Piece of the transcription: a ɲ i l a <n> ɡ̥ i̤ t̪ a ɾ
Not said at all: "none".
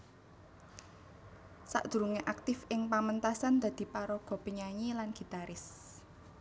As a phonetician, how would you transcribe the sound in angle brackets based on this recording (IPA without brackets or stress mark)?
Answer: n